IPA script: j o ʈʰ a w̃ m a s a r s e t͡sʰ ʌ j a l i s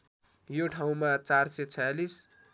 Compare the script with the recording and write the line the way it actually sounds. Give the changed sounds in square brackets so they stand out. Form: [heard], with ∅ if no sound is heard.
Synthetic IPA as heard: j o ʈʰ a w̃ m a [t͡s] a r s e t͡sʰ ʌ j a l i s